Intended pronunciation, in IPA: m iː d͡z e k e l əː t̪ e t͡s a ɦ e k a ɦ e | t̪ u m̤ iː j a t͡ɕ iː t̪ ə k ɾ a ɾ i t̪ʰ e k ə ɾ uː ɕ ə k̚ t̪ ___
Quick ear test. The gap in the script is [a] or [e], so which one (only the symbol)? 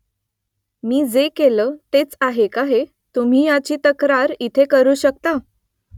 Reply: a